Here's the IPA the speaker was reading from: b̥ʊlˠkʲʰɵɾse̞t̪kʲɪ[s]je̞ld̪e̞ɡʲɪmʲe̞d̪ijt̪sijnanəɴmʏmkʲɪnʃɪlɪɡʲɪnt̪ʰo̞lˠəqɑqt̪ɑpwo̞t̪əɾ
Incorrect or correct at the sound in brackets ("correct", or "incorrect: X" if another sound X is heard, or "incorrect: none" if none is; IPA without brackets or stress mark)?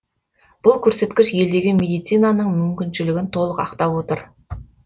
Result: incorrect: ʃ